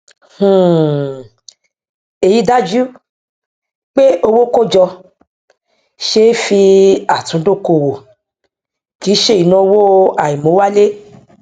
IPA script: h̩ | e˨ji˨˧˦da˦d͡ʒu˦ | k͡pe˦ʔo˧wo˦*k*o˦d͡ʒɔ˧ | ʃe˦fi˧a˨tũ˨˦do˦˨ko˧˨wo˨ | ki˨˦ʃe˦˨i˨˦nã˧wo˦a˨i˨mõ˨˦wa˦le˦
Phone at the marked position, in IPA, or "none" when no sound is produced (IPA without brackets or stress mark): k